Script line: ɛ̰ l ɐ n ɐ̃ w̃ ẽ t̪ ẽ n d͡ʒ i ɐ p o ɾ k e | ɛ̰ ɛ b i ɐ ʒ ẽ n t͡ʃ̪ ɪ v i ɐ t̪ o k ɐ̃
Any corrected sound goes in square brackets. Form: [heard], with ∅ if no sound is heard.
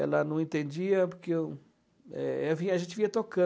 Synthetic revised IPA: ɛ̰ l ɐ n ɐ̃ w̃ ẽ t̪ ẽ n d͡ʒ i ɐ p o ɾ k e | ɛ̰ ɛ [v] i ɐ ʒ ẽ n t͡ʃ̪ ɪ v i ɐ t̪ o k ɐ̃